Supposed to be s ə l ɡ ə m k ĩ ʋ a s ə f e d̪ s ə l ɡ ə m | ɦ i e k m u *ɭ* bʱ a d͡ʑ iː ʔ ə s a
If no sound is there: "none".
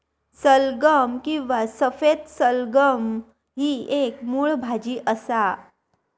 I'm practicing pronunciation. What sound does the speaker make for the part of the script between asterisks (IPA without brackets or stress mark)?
ɭ